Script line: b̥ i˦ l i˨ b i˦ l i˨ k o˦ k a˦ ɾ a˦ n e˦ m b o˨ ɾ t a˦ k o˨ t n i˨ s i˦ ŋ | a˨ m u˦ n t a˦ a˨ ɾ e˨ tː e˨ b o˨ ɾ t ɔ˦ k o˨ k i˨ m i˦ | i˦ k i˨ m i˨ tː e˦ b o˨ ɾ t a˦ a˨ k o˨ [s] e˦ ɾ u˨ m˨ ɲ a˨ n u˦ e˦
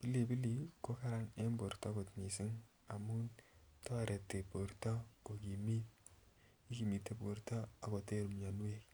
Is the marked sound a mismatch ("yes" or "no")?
yes